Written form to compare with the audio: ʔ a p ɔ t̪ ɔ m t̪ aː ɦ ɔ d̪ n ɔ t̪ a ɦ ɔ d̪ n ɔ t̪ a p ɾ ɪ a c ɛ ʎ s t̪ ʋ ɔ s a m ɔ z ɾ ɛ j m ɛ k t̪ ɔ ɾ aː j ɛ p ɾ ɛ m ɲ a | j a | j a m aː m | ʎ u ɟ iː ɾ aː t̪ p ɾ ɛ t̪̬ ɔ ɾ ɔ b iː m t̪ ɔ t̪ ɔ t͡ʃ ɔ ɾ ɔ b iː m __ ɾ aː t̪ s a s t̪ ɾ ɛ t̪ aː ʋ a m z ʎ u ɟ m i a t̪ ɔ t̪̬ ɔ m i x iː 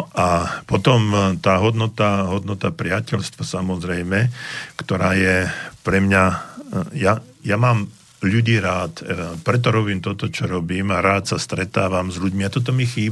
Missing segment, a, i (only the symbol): a